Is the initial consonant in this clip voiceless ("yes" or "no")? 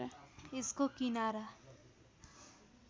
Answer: yes